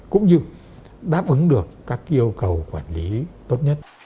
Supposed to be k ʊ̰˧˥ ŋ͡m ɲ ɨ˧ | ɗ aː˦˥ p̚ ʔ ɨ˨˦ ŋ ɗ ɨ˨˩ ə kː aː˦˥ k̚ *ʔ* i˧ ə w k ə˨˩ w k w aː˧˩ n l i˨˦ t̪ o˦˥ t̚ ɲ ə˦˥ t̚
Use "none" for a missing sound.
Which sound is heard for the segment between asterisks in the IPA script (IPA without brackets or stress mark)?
ʔ